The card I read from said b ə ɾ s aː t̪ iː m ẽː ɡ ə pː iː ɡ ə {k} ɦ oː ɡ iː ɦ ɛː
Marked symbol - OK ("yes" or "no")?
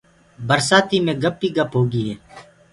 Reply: no